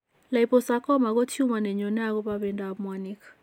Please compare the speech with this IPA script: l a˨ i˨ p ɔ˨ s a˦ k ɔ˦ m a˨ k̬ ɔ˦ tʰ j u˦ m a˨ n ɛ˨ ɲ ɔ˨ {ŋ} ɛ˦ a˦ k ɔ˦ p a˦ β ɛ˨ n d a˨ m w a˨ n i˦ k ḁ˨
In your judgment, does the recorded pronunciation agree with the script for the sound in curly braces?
no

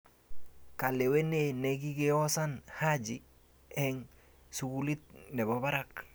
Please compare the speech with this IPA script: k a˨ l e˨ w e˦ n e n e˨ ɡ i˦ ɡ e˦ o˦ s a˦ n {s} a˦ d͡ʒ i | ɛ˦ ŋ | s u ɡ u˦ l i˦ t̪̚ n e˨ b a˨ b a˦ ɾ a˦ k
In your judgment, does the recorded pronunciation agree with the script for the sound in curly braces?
no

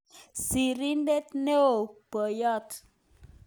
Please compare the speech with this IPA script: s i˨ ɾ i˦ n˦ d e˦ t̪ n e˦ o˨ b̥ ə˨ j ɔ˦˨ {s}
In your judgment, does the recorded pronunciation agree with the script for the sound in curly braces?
no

